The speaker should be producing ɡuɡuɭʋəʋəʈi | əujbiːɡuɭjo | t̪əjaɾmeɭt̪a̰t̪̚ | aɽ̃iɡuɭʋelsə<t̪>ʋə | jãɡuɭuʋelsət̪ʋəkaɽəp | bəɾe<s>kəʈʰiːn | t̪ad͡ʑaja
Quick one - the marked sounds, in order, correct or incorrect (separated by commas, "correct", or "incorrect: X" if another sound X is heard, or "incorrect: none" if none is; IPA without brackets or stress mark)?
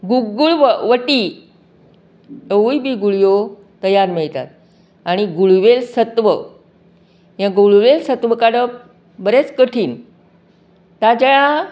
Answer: correct, incorrect: t͡s